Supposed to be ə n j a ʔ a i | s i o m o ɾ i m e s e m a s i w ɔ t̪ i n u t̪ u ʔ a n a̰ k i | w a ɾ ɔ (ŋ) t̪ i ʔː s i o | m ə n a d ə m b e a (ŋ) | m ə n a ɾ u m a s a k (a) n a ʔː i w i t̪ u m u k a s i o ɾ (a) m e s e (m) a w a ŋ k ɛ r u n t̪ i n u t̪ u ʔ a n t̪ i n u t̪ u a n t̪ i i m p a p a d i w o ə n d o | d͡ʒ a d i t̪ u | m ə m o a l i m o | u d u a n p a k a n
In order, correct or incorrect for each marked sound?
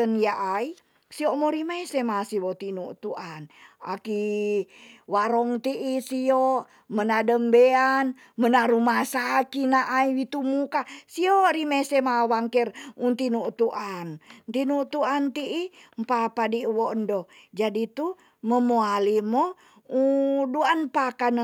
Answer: correct, incorrect: n, incorrect: i, incorrect: i, correct

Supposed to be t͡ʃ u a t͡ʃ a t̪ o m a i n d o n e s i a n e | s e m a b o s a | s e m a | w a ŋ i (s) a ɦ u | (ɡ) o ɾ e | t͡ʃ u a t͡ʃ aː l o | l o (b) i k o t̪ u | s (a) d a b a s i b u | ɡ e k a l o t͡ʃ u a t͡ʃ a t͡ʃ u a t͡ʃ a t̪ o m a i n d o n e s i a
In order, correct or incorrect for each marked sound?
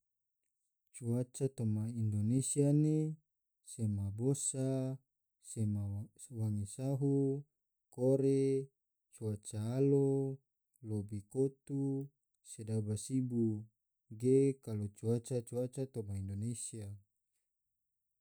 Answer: correct, incorrect: k, correct, incorrect: e

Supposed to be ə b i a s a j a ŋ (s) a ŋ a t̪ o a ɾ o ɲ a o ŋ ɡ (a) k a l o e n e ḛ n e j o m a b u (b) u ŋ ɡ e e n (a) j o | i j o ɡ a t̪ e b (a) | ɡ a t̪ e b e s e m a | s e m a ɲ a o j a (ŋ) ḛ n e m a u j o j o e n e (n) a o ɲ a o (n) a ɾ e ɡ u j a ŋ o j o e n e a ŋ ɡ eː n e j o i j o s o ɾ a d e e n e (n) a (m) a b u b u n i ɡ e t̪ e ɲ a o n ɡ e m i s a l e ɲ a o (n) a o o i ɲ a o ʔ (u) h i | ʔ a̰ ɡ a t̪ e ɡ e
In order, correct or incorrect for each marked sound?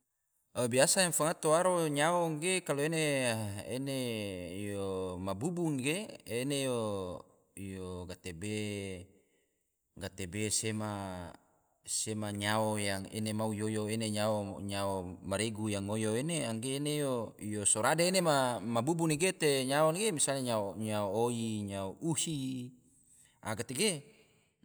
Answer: incorrect: f, incorrect: e, correct, incorrect: e, incorrect: e, correct, incorrect: ɲ, incorrect: m, incorrect: m, correct, incorrect: ɲ, correct

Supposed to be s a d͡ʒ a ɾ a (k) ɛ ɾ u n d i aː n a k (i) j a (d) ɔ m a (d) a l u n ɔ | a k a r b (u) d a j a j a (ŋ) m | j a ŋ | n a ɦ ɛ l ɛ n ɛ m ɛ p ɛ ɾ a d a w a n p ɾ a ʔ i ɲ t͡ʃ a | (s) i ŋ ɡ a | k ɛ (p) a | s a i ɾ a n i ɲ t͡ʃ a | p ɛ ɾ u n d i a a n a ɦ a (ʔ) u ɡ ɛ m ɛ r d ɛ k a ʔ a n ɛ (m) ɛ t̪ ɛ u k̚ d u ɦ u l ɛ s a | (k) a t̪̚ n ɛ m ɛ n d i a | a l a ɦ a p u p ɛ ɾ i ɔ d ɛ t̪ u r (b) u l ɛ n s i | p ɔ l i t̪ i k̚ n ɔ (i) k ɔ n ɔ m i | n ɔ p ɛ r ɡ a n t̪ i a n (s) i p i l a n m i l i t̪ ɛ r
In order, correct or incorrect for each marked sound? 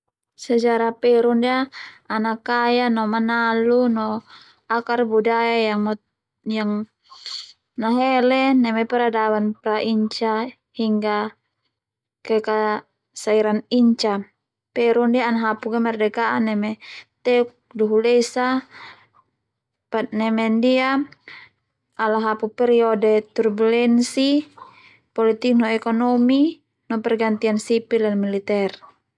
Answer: incorrect: p, incorrect: a, incorrect: n, incorrect: n, correct, correct, incorrect: h, incorrect: k, incorrect: p, correct, incorrect: p, correct, incorrect: ɛ, correct

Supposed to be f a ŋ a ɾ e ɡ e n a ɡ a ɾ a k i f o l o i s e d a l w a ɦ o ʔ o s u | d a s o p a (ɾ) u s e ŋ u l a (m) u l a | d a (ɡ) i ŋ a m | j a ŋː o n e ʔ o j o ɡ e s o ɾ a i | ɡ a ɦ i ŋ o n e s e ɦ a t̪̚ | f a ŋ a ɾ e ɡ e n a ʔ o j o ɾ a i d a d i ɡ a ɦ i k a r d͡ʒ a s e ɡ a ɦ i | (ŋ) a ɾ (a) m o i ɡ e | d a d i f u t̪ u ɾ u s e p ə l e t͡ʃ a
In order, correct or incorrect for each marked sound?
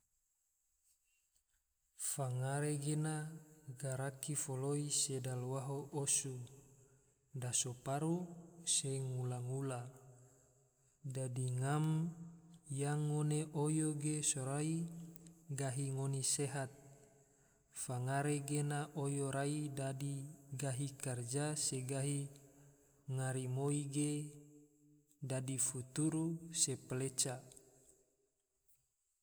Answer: correct, incorrect: ŋ, incorrect: d, correct, incorrect: i

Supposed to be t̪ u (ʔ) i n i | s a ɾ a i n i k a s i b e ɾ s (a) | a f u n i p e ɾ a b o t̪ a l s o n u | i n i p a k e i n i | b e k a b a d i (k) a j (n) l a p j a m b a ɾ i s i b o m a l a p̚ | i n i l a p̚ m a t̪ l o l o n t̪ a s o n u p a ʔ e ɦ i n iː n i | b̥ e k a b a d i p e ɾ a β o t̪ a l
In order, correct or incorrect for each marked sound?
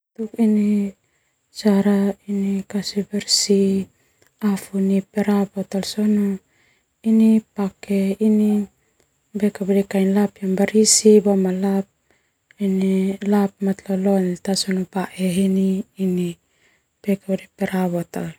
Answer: incorrect: k, incorrect: i, correct, correct

